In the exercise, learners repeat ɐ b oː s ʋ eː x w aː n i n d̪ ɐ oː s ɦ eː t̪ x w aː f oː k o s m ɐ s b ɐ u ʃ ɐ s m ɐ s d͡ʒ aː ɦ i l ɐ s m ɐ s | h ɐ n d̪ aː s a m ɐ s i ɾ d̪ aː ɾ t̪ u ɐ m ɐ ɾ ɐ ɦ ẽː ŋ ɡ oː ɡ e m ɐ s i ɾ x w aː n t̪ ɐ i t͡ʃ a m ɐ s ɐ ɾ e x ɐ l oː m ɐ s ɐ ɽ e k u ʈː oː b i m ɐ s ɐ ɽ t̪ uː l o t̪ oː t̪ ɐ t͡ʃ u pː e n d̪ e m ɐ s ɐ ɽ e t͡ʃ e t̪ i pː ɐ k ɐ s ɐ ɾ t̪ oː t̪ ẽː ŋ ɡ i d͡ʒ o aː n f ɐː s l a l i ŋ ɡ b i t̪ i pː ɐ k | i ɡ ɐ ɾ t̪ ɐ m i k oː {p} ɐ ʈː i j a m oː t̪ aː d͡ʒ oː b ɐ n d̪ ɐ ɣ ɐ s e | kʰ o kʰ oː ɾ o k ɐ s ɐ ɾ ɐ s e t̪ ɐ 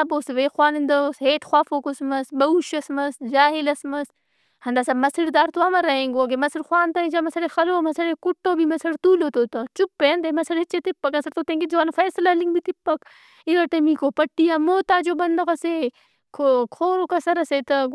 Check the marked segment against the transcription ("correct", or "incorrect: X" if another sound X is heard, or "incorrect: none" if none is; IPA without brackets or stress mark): correct